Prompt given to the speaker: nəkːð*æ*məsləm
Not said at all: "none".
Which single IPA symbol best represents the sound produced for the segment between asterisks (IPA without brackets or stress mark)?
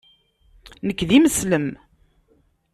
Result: i